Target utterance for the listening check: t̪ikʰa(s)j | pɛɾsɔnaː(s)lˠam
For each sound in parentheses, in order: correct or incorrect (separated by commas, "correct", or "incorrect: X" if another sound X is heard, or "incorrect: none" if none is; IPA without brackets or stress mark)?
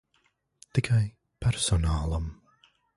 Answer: incorrect: none, incorrect: none